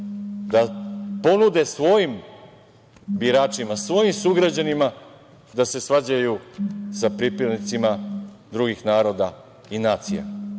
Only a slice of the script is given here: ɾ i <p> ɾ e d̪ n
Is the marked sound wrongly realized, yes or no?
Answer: no